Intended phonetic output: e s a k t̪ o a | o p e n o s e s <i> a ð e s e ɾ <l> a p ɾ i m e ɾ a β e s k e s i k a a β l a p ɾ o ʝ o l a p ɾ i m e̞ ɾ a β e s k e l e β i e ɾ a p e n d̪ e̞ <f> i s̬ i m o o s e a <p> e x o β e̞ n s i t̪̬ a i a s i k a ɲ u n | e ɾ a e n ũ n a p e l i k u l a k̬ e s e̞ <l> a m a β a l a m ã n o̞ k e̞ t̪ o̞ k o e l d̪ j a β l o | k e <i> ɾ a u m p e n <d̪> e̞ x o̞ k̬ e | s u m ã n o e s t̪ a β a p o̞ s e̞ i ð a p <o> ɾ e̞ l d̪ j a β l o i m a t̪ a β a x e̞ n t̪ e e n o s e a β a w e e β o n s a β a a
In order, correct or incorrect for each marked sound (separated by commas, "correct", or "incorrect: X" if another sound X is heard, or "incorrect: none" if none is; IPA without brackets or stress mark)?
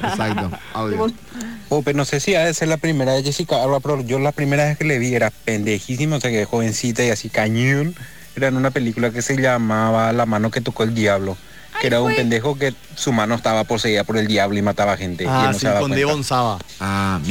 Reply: correct, correct, incorrect: x, incorrect: k, incorrect: ʎ, incorrect: e, correct, correct